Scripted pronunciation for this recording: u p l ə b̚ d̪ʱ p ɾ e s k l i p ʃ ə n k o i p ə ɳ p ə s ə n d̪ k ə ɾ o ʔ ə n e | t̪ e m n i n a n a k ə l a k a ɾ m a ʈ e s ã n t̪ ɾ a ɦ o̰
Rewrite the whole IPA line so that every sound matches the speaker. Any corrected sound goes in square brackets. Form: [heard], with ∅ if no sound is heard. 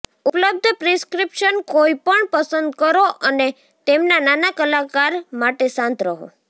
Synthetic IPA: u p l ə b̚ d̪ʱ p ɾ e s k [ɾ] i p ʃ ə n k o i p ə ɳ p ə s ə n d̪ k ə ɾ o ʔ ə n e | t̪ e m n [a] n a n a k ə l a k a ɾ m a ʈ e s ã n t̪ ɾ [ə] ɦ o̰